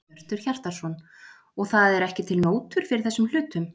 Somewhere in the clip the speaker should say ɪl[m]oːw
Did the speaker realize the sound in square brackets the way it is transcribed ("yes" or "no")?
no